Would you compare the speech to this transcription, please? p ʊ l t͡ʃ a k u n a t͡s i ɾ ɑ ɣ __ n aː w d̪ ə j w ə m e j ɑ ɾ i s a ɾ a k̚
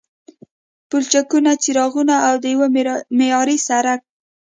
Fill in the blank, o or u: u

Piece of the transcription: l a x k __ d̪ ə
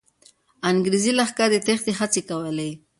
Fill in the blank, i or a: a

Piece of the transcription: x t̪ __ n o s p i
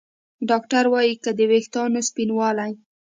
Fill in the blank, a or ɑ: ɑ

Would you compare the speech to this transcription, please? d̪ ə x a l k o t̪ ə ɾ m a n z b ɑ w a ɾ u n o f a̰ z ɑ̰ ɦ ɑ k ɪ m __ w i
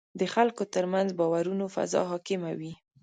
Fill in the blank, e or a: a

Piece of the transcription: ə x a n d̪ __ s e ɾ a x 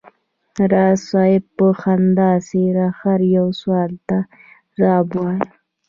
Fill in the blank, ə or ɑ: ɑ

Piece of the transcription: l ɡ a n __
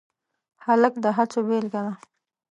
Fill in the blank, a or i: a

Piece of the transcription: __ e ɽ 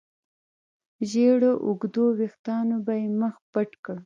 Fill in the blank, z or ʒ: ʒ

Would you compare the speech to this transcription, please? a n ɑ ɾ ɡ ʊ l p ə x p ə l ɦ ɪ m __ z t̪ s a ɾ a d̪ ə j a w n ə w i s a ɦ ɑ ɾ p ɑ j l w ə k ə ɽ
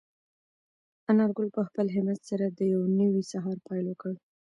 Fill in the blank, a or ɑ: a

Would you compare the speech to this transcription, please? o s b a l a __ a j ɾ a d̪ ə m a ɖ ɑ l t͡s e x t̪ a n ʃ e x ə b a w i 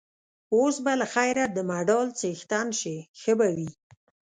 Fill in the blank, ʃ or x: x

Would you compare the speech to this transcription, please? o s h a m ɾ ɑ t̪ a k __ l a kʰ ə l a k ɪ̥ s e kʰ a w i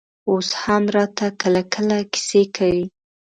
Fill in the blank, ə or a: ə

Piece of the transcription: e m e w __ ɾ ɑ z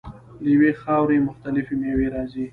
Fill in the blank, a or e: e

